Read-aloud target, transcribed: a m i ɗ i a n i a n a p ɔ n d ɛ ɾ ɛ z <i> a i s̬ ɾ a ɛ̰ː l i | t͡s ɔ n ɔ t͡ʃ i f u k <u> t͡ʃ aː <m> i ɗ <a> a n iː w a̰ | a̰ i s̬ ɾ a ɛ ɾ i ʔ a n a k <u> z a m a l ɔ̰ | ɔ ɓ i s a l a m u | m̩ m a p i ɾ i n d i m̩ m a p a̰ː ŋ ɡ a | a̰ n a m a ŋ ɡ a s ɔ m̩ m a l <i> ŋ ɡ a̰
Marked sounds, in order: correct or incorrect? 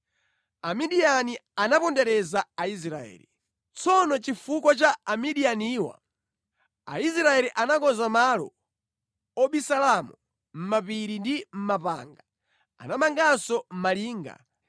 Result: incorrect, incorrect, correct, incorrect, incorrect, incorrect

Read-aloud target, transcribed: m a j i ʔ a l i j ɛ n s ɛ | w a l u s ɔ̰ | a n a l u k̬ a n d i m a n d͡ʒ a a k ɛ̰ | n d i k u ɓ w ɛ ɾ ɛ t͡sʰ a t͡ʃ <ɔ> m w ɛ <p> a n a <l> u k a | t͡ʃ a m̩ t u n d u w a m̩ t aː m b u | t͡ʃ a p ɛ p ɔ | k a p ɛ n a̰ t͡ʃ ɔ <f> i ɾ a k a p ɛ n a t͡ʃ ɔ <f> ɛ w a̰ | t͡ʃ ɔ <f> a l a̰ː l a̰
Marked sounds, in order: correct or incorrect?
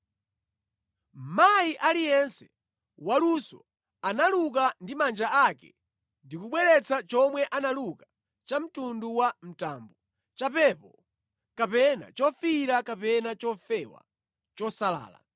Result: correct, incorrect, correct, correct, correct, incorrect

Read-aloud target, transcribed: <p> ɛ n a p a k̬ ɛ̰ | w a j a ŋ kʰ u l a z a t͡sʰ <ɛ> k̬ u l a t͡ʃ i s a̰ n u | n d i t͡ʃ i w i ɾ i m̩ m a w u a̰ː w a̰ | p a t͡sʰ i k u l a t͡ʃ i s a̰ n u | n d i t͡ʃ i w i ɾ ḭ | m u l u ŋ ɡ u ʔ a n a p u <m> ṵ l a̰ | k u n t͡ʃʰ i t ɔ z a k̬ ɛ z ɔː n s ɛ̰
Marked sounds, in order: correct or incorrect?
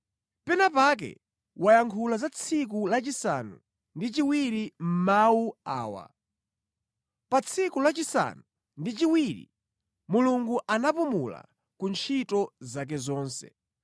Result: correct, incorrect, correct

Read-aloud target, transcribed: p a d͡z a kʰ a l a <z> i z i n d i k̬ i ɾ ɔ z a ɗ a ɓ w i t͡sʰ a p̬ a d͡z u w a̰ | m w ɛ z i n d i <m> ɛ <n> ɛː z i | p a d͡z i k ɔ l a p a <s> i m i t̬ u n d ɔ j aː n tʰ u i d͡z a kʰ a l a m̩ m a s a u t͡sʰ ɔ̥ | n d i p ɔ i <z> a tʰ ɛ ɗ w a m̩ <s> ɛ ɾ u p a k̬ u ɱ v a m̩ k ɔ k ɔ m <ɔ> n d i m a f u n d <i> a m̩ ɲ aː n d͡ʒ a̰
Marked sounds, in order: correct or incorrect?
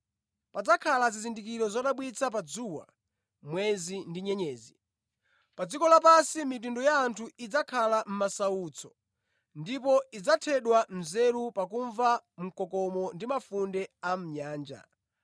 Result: correct, incorrect, incorrect, correct, incorrect, incorrect, correct, incorrect

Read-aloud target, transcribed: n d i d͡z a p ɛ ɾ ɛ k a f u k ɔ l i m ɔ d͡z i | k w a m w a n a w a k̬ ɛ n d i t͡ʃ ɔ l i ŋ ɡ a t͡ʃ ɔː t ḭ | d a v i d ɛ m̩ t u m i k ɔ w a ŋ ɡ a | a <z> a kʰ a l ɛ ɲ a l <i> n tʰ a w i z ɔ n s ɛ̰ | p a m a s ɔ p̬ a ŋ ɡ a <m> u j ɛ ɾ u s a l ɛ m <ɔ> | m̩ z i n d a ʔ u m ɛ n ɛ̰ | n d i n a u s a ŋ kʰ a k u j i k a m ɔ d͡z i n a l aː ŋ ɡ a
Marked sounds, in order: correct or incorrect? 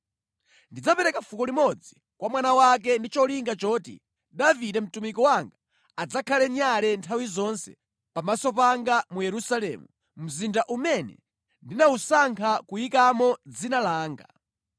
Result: incorrect, incorrect, correct, incorrect

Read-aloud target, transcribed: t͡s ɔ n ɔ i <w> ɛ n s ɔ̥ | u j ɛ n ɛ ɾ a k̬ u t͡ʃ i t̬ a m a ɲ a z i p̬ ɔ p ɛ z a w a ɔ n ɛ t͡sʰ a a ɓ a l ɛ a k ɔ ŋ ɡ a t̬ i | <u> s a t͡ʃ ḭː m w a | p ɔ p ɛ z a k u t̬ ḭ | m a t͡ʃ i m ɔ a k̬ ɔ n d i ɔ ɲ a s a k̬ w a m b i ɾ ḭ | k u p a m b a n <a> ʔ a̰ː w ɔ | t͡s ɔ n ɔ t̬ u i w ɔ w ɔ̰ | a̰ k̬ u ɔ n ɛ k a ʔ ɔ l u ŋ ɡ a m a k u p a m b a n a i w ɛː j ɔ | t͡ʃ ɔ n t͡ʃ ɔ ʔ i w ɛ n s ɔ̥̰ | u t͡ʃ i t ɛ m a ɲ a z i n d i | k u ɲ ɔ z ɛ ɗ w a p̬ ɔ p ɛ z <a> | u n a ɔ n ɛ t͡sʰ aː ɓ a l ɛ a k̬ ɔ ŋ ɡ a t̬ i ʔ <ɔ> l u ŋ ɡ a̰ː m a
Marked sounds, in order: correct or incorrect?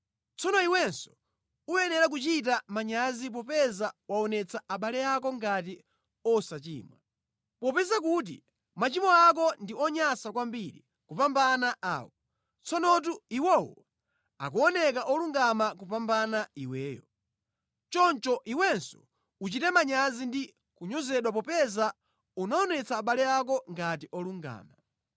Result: correct, incorrect, correct, correct, correct

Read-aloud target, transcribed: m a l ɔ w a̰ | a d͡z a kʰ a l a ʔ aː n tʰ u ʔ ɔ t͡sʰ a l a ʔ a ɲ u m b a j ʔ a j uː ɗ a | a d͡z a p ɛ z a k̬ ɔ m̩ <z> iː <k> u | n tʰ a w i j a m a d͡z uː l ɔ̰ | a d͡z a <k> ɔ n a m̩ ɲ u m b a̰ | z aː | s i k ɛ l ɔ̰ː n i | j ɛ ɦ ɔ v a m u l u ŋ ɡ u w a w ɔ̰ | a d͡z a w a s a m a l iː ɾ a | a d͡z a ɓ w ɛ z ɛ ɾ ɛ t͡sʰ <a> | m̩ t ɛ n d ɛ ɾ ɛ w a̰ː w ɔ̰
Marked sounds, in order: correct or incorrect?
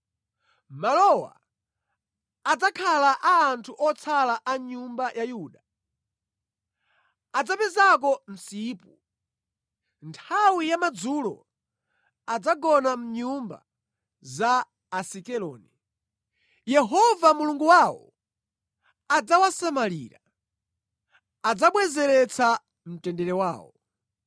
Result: incorrect, incorrect, incorrect, correct

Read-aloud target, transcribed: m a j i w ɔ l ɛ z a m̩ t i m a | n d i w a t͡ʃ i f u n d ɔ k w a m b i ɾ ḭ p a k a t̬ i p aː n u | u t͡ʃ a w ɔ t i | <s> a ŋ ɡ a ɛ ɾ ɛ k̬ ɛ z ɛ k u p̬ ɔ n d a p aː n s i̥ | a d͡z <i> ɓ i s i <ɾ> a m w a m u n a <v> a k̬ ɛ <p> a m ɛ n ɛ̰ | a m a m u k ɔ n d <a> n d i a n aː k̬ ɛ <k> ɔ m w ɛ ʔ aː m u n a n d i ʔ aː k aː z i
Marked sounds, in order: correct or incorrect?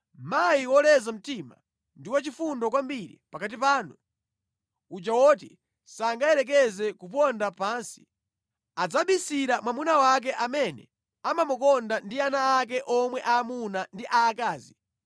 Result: correct, incorrect, correct, incorrect, incorrect, correct, incorrect

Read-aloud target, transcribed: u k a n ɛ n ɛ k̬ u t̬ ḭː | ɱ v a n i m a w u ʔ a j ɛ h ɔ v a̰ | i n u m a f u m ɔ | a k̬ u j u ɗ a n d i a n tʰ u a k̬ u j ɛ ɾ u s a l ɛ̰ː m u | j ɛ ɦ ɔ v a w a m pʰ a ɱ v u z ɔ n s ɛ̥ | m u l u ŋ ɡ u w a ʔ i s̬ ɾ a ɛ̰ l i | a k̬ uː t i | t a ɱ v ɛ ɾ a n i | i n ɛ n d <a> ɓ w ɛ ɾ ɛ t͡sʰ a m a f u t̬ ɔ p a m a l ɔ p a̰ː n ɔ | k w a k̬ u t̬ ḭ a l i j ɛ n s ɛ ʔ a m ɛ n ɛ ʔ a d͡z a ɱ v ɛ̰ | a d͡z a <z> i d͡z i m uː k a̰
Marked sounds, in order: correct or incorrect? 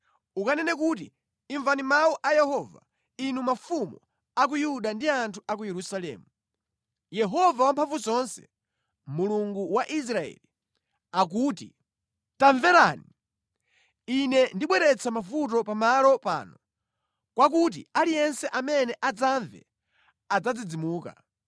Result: incorrect, incorrect

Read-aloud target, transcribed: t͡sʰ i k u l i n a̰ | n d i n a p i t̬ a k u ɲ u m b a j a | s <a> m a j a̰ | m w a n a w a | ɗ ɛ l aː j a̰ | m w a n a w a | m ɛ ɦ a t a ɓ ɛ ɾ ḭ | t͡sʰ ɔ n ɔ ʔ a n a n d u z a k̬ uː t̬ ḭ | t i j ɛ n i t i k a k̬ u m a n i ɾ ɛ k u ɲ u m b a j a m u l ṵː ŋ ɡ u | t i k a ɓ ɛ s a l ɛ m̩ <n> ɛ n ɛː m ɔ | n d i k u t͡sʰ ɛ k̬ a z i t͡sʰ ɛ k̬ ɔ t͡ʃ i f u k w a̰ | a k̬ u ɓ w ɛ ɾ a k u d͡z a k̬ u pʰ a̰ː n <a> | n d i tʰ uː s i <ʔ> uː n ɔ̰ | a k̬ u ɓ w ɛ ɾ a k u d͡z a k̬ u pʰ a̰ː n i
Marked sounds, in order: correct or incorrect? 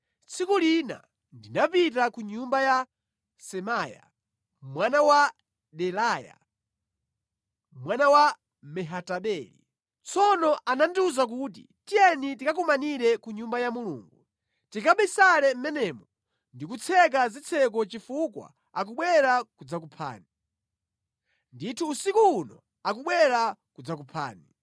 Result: incorrect, incorrect, incorrect, incorrect

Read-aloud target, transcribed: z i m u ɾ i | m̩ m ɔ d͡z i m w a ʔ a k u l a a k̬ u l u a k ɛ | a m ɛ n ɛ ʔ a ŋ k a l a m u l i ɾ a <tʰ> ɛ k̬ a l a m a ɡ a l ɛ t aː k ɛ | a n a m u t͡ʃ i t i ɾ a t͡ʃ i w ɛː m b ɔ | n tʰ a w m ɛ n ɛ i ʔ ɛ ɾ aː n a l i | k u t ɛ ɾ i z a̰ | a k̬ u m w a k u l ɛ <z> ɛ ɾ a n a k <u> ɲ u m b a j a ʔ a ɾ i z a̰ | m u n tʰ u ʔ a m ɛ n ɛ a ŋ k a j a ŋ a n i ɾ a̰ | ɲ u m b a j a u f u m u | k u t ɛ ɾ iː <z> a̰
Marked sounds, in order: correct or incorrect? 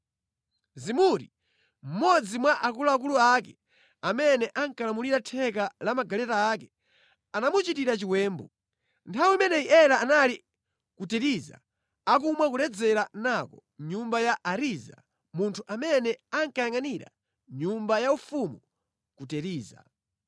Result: correct, incorrect, incorrect, correct

